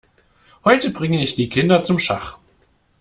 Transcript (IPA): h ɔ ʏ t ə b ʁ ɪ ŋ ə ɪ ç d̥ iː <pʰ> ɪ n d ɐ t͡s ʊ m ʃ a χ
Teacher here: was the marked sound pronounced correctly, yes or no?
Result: no